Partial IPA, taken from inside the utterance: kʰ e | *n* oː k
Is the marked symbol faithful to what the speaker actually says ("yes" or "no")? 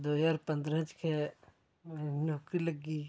yes